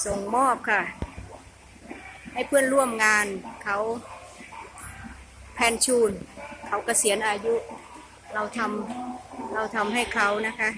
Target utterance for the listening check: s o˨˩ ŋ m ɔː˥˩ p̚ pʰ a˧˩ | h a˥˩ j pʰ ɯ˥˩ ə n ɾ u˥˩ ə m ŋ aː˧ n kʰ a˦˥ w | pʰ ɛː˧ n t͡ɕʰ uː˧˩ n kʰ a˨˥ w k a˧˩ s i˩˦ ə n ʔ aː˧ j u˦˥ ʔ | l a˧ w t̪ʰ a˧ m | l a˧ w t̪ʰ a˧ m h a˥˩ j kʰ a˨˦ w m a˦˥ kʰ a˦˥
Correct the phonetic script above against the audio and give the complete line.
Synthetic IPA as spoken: s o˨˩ ŋ m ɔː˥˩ p̚ kʰ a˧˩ | h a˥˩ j pʰ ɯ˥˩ ə n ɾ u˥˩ ə m ŋ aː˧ n kʰ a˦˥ w | pʰ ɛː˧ n t͡ɕʰ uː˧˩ n kʰ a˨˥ w k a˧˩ s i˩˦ ə n ʔ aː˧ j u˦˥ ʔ | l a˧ w t̪ʰ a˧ m | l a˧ w t̪ʰ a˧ m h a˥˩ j kʰ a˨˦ w n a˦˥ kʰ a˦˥